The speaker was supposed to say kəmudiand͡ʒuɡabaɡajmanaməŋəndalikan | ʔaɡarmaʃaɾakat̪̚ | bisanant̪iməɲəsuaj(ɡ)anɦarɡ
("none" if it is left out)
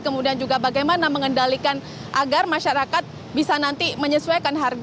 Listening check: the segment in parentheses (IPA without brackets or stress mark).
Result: k